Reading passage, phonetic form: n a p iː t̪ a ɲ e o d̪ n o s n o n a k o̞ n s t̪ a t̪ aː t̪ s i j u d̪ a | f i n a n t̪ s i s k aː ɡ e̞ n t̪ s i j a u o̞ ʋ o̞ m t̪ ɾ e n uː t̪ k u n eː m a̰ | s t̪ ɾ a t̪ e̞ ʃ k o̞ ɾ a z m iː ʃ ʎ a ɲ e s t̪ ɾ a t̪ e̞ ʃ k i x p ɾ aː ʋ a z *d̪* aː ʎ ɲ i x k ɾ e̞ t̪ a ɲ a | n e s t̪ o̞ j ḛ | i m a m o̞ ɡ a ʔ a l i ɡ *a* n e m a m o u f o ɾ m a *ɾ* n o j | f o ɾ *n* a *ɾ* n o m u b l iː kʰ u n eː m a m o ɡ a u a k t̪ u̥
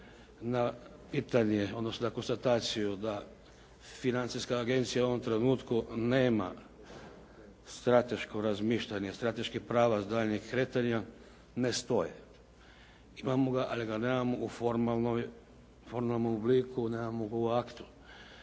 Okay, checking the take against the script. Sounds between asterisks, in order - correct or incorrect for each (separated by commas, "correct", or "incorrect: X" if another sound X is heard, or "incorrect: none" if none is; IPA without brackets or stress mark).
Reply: correct, correct, incorrect: l, incorrect: m, incorrect: l